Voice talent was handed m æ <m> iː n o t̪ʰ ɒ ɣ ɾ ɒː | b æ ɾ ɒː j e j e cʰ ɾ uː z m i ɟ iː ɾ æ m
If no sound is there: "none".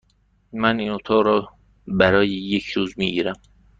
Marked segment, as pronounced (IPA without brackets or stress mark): n